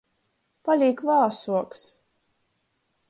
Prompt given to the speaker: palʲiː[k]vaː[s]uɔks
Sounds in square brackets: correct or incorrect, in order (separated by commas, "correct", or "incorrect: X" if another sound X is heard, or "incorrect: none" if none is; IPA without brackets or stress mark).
correct, correct